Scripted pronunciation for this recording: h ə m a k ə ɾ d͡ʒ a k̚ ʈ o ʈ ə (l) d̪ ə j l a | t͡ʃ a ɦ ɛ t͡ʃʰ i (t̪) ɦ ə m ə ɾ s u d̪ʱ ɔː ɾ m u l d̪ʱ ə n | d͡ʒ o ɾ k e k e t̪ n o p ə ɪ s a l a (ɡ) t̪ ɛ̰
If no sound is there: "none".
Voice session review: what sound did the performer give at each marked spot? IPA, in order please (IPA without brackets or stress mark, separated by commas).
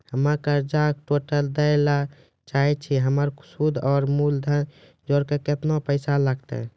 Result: l, none, ɡ